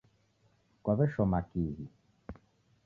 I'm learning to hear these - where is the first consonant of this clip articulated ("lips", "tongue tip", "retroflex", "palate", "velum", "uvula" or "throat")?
velum